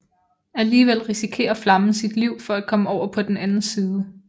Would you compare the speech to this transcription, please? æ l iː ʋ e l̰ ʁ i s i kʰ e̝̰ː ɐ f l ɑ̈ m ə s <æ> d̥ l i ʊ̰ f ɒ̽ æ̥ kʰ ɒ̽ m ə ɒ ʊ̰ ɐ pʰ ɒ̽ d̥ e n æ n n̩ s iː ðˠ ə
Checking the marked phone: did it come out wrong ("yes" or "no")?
yes